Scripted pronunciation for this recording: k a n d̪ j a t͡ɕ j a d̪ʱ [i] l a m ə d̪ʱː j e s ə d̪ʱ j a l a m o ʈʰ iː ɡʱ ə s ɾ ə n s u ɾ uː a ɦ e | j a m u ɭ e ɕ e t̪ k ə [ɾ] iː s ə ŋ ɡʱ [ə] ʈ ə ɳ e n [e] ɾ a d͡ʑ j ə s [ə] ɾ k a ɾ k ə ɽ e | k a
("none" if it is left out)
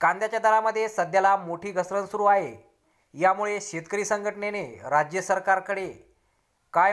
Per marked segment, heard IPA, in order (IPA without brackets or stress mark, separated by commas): a, ɾ, ə, e, ə